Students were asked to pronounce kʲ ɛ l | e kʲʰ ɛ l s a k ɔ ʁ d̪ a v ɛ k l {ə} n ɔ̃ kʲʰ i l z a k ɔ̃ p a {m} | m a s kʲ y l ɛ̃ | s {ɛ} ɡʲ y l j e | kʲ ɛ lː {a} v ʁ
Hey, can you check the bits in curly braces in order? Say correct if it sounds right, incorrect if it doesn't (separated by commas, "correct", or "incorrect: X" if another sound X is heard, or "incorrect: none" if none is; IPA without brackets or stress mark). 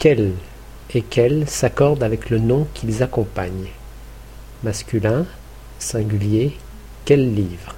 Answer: correct, incorrect: ɲ, incorrect: ɛ̃, incorrect: i